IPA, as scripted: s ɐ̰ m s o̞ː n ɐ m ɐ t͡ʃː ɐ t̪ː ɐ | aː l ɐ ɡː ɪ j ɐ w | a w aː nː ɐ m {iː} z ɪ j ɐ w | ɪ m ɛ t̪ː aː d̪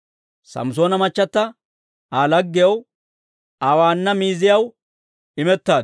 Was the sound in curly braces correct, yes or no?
yes